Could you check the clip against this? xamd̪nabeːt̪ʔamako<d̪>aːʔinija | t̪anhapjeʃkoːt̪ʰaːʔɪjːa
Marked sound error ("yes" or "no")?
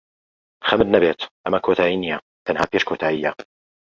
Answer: yes